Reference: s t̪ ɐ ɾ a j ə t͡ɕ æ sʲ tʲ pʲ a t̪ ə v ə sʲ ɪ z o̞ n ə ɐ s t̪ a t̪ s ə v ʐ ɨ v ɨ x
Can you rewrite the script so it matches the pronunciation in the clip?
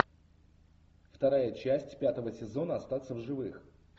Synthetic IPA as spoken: f t̪ ɐ ɾ a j ə t͡ɕ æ sʲ tʲ pʲ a t̪ ə v ə sʲ ɪ z o̞ n ə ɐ s t̪ a t̪ s ə v ʐ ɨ v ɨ x